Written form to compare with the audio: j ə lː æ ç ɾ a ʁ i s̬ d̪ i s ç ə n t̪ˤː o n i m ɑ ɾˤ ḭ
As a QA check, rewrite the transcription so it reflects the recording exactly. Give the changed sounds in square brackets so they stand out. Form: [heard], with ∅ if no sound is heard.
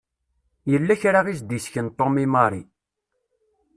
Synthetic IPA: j ə lː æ ç ɾ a ʁ i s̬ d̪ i s ç ə n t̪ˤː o [m] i m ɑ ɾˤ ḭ